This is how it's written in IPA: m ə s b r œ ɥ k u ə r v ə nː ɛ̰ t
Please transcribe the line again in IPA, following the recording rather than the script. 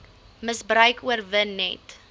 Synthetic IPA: m ə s b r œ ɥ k u ə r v ə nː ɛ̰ t